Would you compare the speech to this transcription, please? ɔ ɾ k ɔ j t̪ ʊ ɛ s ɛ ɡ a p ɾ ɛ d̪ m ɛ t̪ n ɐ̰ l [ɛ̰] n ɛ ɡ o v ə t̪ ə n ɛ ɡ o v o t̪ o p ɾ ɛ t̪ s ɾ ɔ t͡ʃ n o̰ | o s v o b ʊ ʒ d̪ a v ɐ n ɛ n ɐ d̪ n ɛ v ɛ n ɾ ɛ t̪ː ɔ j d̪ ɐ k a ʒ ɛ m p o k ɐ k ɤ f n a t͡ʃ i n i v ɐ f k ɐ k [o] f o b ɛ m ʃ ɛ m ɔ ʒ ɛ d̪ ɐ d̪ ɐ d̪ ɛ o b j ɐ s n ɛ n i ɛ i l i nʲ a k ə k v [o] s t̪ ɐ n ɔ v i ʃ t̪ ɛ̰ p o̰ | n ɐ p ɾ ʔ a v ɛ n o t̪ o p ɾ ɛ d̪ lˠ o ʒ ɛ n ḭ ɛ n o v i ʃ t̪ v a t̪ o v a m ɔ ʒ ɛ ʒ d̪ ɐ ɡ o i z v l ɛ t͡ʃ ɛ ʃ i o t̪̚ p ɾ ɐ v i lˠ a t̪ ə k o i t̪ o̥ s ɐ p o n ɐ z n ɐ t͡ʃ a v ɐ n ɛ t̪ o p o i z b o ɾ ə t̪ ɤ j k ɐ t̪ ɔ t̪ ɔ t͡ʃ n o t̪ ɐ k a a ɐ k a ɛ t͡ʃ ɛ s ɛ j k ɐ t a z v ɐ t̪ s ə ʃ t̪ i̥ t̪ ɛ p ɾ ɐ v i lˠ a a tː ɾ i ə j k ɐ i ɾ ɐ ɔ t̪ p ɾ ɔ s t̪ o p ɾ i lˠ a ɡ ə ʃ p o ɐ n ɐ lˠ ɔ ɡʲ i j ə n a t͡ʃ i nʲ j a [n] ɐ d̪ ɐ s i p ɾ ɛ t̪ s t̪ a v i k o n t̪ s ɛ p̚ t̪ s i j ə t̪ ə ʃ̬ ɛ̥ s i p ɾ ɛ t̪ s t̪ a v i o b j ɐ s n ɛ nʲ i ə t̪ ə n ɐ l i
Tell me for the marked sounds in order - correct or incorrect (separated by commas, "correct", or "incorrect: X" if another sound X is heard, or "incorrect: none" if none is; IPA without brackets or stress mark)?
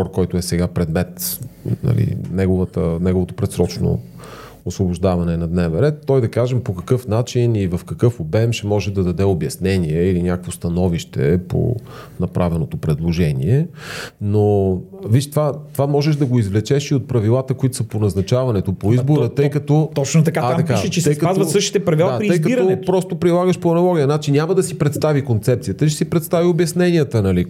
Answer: incorrect: ḭ, incorrect: ɤ, correct, incorrect: m